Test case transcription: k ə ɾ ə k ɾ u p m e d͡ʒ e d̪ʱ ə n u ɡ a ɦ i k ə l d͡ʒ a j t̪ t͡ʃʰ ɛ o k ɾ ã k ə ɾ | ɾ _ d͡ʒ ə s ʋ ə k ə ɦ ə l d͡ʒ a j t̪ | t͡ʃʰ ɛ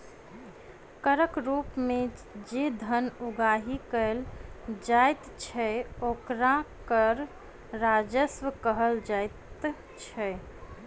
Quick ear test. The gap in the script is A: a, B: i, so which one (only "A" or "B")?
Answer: A